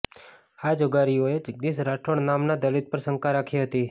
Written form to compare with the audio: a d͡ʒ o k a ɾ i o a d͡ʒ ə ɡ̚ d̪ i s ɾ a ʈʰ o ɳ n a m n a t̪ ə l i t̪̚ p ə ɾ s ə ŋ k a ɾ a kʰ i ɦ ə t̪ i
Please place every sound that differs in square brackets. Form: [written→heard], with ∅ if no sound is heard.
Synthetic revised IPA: a d͡ʒ o [k→ɡ] a ɾ i o [a→e] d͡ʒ ə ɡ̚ d̪ i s ɾ a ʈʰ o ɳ n a m n a [t̪→d̪] ə l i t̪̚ p ə ɾ s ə ŋ k a ɾ a kʰ i ɦ ə t̪ i